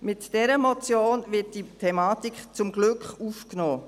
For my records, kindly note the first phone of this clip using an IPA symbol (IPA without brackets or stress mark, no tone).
m